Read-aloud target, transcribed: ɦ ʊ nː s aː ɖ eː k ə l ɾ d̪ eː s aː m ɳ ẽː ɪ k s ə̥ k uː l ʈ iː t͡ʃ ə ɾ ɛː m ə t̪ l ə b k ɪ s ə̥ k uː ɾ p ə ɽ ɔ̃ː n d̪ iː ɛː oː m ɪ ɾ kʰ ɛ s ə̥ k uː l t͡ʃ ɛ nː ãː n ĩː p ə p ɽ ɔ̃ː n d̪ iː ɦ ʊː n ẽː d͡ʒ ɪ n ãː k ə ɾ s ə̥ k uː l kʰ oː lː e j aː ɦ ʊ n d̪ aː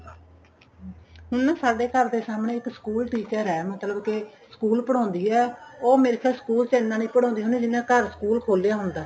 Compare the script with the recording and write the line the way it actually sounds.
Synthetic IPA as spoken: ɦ ʊ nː s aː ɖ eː k ə ɾ d̪ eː s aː m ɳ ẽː ɪ k s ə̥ k uː l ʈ iː t͡ʃ ə ɾ ɛː m ə t̪ l ə b k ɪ s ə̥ k uː l p ə ɽ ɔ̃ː n d̪ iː ɛː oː m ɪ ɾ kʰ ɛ s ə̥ k uː l t͡ʃ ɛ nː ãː n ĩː p ə ɽ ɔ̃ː n d̪ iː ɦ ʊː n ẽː d͡ʒ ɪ n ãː k ə ɾ s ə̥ k uː l kʰ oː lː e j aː ɦ ʊ n d̪ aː

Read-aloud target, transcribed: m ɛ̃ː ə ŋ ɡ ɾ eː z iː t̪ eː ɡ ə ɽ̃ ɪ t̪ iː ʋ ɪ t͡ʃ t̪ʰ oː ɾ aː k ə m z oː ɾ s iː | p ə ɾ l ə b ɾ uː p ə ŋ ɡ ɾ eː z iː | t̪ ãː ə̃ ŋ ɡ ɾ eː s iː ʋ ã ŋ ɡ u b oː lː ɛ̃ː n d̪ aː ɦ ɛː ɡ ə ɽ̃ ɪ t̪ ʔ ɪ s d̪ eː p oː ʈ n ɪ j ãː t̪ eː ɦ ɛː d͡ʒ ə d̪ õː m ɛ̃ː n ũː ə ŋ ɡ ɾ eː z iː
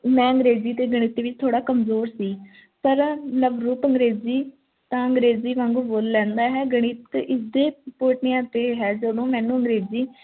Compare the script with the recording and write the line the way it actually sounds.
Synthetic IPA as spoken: m ɛ̃ː ə ŋ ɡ ɾ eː z iː t̪ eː ɡ ə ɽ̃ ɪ t̪ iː ʋ ɪ t͡ʃ t̪ʰ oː ɽ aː k ə m z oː ɾ s iː | p ə ɾ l ə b ɾ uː p ə ŋ ɡ ɾ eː z iː | t̪ ãː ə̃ ŋ ɡ ɾ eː z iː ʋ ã ŋ ɡ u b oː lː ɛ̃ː n d̪ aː ɦ ɛː ɡ ə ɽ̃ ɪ t̪ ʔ ɪ s d̪ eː p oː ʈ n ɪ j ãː t̪ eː ɦ ɛː d͡ʒ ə d̪ õː m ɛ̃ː n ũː ə ŋ ɡ ɾ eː z iː

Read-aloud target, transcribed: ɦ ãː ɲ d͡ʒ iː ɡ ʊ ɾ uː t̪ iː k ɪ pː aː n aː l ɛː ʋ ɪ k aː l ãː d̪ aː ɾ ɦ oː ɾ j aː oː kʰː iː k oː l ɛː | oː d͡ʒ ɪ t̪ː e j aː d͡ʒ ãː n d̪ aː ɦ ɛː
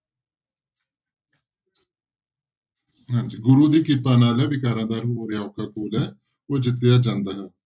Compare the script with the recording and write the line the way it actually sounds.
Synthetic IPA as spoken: ɦ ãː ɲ d͡ʒ iː ɡ ʊ ɾ uː d̪ iː k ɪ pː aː n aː l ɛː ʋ ɪ k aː ɾ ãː d̪ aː ɾ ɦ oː ɾ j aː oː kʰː aː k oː l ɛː | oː d͡ʒ ɪ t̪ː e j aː d͡ʒ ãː n d̪ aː ɦ ɛː

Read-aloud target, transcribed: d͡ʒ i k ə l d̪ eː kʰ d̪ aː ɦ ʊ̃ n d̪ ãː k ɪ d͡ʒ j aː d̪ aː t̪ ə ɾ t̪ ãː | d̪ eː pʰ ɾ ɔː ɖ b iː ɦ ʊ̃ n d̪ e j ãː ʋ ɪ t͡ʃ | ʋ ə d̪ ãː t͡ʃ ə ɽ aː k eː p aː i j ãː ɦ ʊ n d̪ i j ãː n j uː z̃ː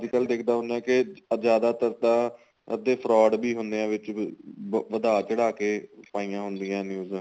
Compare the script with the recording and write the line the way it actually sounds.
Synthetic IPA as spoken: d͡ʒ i k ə l d̪ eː kʰ d̪ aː ɦ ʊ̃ n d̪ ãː k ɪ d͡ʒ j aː d̪ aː t̪ ə ɾ t̪ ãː | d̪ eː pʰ ɾ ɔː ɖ b iː ɦ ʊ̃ n d̪ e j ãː ʋ ɪ t͡ʃ | ʋ ə d̪ aː t͡ʃ ə ɽ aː k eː p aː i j ãː ɦ ʊ n d̪ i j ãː n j uː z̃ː

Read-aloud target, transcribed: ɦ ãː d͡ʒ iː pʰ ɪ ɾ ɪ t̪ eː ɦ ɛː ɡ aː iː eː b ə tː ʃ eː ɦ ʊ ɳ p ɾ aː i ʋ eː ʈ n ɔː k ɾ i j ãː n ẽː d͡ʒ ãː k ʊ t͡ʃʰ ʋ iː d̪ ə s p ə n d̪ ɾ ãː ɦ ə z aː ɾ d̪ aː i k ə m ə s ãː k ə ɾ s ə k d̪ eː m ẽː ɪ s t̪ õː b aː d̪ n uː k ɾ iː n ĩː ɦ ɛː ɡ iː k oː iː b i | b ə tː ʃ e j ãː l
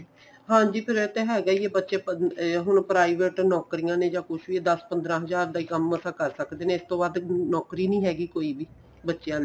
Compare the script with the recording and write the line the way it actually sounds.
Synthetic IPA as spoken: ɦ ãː d͡ʒ iː pʰ ɪ ɾ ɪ t̪ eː ɦ ɛː ɡ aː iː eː b ə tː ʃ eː ɦ ʊ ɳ p ɾ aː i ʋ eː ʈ n ɔː k ɾ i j ãː n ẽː d͡ʒ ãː k ʊ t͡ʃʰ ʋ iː d̪ ə s p ə n d̪ ɾ ãː ɦ ə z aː ɾ d̪ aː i k ə m ə s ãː k ə ɾ s ə k d̪ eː n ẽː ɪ s t̪ õː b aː d̪ n ɔː k ɾ iː n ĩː ɦ ɛː ɡ iː k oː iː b iː | b ə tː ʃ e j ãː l

